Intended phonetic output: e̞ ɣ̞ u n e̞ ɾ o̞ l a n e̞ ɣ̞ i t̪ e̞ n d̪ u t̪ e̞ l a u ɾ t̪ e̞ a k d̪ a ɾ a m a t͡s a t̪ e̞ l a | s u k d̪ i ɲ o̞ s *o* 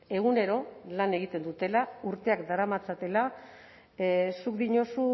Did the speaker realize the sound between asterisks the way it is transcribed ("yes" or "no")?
no